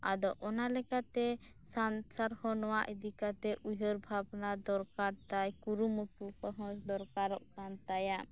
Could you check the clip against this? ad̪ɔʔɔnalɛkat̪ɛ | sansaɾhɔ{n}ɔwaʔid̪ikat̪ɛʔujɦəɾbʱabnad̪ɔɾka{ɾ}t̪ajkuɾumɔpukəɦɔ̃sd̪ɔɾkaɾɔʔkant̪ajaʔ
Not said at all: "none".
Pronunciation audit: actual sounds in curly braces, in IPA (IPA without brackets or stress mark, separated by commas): n, ɾ